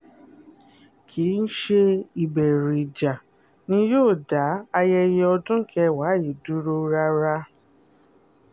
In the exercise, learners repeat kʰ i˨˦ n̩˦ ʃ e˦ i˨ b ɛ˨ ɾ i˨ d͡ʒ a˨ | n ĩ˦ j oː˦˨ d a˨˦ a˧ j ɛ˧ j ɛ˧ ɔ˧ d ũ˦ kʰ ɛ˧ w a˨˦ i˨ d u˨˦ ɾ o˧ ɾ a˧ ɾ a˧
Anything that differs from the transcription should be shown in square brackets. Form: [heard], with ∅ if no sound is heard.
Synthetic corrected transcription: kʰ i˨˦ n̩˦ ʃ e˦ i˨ b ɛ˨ ɾ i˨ d͡ʒ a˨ | n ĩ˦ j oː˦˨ d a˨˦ a˧ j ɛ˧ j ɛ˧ ɔ˧ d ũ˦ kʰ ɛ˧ w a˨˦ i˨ d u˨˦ ɾ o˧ ɾ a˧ ɾ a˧